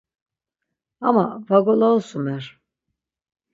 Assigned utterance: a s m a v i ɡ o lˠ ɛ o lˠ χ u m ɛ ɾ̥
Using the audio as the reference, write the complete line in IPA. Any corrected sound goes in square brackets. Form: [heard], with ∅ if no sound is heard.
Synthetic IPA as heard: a [∅] m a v [a] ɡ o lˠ [a] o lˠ [s] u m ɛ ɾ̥